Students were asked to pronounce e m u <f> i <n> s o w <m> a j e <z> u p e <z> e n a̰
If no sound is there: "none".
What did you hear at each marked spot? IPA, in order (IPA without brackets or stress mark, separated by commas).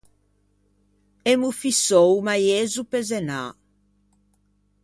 f, none, m, z, z